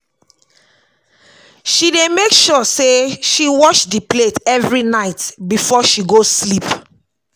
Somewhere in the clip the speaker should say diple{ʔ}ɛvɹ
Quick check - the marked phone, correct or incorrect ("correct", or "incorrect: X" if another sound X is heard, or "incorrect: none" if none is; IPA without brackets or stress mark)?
incorrect: t